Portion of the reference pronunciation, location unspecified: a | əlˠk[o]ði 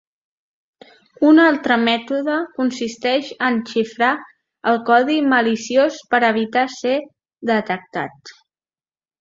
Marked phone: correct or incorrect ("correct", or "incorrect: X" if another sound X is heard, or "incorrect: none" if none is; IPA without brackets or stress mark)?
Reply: incorrect: ɔ